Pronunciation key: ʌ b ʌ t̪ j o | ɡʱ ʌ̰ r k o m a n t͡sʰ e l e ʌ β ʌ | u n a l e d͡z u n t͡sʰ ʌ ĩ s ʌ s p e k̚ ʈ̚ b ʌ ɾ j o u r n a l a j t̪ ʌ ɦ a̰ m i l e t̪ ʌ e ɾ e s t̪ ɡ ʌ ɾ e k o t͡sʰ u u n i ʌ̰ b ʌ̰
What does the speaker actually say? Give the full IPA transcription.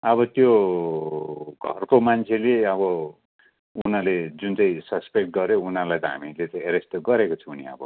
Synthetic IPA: ʌ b ʌ t̪ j o | ɡʱ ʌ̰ r k o m a n t͡sʰ e l e ʌ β ʌ | u n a l e d͡z u n t͡s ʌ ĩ s ʌ s p e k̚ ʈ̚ ɡ ʌ ɾ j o u n a l a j t̪ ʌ ɦ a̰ m i l e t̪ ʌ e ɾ e s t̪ ɡ ʌ ɾ e k o t͡sʰ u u n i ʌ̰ b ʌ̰